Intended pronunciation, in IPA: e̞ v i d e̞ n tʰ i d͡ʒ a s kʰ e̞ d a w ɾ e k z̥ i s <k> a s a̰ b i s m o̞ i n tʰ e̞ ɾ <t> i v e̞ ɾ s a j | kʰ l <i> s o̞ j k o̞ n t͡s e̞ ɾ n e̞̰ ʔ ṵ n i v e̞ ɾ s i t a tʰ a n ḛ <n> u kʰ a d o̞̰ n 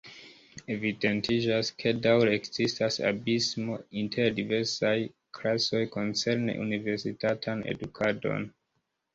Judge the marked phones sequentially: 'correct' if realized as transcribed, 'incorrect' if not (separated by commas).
incorrect, incorrect, incorrect, incorrect